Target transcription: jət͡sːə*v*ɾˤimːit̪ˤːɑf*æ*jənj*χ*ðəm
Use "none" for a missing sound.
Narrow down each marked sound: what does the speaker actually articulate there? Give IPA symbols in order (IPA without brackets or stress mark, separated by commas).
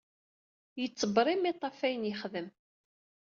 b, æ, χ